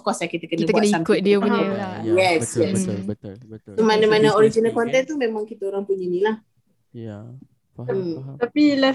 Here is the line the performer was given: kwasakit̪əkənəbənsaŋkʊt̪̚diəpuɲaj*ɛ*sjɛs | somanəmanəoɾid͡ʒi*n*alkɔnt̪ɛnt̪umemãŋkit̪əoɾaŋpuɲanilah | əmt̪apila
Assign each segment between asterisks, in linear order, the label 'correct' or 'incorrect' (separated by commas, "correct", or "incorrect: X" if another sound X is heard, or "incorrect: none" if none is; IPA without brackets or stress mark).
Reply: correct, correct